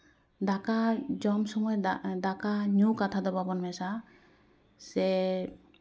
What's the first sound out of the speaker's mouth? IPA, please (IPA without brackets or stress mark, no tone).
d̪